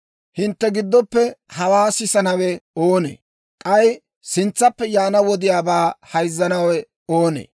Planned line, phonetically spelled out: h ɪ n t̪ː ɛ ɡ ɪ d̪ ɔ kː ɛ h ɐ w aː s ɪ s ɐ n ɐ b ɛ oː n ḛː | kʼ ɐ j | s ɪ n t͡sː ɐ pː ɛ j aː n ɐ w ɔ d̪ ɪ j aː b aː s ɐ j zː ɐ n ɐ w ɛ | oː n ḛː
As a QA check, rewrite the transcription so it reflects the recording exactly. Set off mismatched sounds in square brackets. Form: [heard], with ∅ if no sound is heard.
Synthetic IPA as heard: h ɪ n t̪ː ɛ ɡ ɪ [d̪ː] ɔ [pː] ɛ h ɐ w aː s ɪ s ɐ n ɐ [w] ɛ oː n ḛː | kʼ ɐ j | s ɪ n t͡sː ɐ pː ɛ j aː n ɐ w ɔ d̪ ɪ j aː b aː [h] ɐ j zː ɐ n ɐ w ɛ | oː n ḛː